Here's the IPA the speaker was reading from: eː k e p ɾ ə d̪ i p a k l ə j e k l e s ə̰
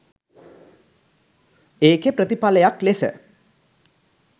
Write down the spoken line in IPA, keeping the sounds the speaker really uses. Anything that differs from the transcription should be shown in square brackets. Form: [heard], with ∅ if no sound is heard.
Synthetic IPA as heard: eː k e p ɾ ə [t̪] i p a [∅] l ə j [a] k l e s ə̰